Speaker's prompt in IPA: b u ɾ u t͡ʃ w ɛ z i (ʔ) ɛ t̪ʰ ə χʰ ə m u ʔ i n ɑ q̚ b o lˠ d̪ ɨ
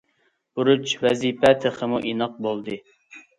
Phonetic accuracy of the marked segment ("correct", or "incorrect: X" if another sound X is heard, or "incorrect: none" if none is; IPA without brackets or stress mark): incorrect: p